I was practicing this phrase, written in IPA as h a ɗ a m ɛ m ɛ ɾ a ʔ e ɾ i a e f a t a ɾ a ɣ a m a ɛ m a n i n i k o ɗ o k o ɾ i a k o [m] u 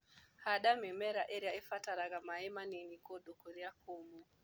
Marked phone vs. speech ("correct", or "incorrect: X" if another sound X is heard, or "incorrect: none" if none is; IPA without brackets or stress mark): correct